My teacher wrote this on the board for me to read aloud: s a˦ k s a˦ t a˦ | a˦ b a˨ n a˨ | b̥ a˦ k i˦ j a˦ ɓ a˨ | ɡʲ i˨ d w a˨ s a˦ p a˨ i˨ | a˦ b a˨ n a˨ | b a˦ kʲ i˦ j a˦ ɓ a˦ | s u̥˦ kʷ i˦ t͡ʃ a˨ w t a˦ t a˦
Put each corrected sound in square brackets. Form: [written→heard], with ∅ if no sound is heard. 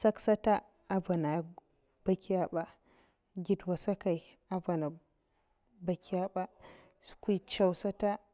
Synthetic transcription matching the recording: s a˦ k s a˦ t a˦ | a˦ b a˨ n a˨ | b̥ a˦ k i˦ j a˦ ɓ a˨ | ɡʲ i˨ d w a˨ s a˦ [p→k] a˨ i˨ | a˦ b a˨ n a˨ | b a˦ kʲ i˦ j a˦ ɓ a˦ | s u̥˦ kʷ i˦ t͡ʃ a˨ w [t→s] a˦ t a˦